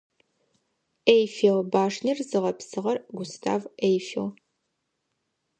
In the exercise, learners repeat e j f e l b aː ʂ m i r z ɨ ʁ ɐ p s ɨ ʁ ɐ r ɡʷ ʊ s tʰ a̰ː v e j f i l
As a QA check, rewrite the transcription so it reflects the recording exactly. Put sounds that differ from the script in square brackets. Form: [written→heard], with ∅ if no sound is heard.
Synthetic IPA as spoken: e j f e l b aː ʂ [m→n] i r z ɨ ʁ ɐ p s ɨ ʁ ɐ r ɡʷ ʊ s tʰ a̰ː v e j f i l